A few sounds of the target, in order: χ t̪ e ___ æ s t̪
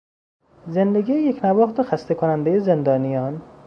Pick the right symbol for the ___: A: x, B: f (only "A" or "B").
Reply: A